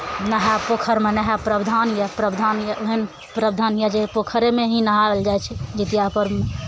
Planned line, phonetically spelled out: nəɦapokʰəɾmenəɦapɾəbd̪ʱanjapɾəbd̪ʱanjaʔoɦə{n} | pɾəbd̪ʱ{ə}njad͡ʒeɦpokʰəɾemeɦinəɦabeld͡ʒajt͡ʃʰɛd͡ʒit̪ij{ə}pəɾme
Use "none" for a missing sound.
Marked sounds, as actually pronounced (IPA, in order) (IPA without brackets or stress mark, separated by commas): n, a, a